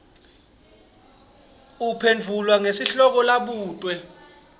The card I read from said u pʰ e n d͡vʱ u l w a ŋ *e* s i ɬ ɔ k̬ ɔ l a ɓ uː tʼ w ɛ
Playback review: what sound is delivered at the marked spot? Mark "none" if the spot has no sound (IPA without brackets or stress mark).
e